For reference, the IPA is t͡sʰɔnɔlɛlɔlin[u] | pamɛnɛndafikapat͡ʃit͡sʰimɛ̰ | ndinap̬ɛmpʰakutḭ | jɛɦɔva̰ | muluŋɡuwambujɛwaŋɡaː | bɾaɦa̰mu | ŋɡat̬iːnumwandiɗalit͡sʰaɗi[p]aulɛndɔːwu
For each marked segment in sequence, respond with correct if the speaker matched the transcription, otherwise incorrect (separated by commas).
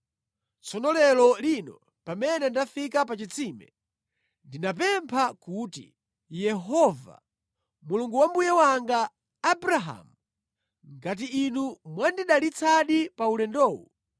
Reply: incorrect, correct